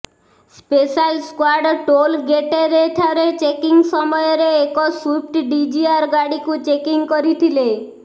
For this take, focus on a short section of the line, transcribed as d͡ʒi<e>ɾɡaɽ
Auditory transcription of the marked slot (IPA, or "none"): a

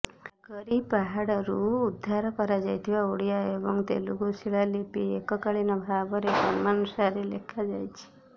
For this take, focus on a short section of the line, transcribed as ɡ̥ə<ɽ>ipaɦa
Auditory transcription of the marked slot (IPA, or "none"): ɾ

